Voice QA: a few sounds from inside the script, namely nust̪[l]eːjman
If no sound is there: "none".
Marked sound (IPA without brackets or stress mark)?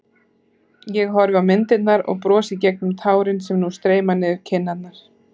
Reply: ɾ